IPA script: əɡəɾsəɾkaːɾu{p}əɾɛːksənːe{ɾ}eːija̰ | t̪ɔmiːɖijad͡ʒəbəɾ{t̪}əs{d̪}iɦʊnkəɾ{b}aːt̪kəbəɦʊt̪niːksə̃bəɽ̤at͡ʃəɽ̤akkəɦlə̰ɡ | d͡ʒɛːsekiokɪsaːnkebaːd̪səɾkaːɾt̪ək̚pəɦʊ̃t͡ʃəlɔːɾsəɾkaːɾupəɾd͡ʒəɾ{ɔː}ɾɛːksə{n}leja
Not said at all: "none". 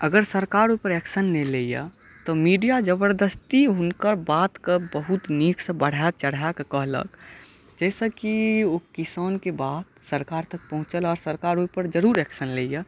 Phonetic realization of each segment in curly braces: p, l, d̪, t̪, b, uː, n

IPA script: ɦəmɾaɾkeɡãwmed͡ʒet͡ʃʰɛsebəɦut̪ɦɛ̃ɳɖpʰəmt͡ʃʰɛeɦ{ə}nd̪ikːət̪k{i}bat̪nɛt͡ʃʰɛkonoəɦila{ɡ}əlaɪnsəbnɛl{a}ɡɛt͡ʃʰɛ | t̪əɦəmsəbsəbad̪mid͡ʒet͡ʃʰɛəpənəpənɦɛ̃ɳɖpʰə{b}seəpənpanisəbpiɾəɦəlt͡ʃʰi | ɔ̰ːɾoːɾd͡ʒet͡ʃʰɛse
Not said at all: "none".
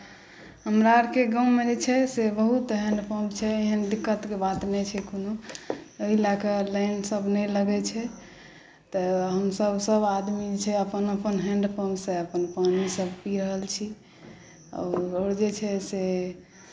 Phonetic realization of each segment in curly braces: ə, e, k, ə, m

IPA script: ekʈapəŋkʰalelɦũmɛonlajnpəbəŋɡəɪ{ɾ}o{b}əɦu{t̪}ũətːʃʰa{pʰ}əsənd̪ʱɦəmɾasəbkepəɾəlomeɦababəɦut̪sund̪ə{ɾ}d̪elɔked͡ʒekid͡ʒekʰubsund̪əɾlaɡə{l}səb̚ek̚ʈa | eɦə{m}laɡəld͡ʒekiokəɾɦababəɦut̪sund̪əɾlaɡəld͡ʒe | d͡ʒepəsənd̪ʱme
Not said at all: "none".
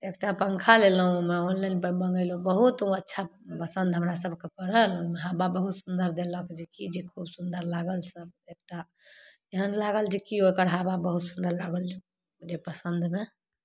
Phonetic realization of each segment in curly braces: l, b, t̪, p, ɾ, l, n

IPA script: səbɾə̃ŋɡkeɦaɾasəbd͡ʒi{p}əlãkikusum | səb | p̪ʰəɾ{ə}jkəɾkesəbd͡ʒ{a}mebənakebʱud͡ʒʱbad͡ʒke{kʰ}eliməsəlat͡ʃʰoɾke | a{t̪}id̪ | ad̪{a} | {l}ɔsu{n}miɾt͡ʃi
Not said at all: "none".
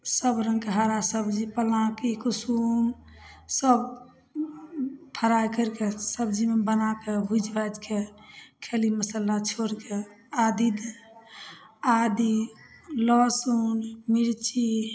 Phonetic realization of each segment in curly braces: p, a, i, kʰ, d̪, i, l, n

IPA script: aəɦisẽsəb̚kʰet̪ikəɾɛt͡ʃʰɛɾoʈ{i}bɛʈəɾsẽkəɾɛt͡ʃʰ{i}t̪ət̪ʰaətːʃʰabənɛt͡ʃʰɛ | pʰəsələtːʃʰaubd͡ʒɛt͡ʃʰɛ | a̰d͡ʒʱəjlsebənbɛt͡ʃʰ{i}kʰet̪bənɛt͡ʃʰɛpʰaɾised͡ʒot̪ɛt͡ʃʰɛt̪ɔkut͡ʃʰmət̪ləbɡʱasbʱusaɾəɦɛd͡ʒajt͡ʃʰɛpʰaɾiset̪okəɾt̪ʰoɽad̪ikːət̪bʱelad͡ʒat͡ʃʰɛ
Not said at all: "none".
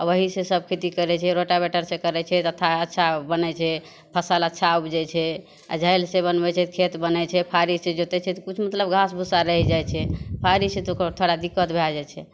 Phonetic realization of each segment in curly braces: a, ɛ, ɛ

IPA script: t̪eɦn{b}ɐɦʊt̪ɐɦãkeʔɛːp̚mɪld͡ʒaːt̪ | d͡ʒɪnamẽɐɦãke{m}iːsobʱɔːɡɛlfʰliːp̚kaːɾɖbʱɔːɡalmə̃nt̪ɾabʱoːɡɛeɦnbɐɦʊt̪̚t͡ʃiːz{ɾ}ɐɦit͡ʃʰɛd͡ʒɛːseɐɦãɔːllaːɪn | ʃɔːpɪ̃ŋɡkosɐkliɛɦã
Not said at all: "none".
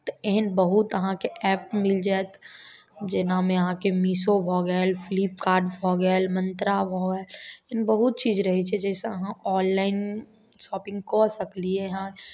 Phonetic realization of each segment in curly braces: b, m, ɾ

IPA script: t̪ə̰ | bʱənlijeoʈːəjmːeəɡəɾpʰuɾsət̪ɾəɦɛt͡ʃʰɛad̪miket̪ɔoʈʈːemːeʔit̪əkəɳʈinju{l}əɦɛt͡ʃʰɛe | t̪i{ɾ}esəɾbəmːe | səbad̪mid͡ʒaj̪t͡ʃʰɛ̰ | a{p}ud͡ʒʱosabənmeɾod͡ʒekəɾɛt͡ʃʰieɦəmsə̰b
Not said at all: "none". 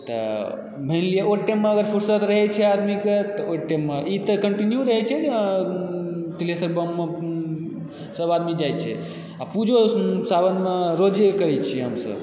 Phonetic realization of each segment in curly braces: ɾ, l, p

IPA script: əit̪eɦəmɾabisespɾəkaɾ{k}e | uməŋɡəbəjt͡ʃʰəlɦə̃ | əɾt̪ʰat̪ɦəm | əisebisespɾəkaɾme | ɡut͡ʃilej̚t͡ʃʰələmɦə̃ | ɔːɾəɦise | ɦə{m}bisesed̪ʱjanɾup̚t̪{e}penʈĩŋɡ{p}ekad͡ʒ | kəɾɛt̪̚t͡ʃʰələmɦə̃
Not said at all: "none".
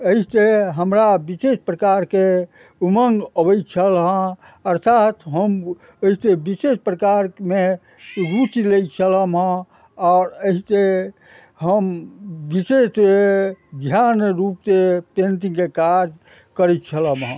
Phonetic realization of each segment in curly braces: k, m, e, k

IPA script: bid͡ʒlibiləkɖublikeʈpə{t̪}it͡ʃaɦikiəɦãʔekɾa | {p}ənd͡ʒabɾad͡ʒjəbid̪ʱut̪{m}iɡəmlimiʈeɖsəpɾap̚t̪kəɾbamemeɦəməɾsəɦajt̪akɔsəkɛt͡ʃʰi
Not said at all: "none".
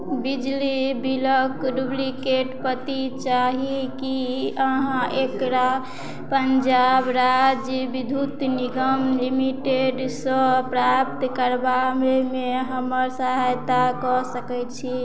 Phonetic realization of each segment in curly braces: t̪, p, n

